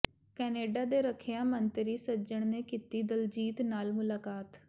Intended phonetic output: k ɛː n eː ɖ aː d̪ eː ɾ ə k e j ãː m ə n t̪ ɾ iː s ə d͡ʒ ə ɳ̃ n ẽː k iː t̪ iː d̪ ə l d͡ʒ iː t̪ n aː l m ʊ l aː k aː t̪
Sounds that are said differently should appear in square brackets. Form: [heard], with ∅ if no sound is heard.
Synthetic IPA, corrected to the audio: k ɛː n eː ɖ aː d̪ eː ɾ ə [kʰ] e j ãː m ə n t̪ ɾ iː s ə d͡ʒ ə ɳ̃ n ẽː k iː t̪ iː d̪ ə l d͡ʒ iː t̪ n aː l m ʊ l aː k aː t̪